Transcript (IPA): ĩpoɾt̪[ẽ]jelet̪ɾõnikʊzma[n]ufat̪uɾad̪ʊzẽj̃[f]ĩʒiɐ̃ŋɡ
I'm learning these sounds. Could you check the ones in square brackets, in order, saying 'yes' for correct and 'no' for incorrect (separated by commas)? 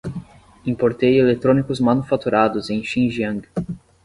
no, yes, no